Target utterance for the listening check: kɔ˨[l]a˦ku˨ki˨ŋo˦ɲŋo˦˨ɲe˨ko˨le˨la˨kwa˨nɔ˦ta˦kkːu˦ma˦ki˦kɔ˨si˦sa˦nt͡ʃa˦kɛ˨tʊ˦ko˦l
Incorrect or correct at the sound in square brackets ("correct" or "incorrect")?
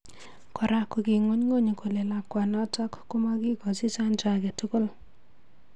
incorrect